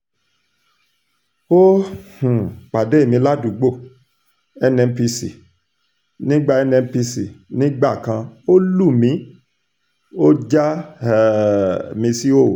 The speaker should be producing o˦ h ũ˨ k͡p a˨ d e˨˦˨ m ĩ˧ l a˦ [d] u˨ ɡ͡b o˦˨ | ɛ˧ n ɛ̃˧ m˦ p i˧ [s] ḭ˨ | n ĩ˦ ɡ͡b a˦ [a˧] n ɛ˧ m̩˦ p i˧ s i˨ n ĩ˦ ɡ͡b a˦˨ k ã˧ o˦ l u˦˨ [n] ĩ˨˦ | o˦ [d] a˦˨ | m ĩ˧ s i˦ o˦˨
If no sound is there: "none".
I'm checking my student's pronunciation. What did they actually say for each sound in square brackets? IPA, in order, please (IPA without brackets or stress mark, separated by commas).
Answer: d, s, ɛ˧, m, d͡ʒ